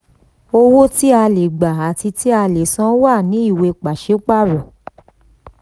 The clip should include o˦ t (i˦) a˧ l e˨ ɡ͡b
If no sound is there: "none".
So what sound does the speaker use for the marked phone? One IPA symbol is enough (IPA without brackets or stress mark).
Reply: i˦